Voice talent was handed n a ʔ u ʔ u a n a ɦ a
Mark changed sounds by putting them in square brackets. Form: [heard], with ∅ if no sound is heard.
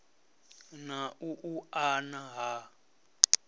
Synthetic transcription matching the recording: n a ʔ u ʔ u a n a ɦ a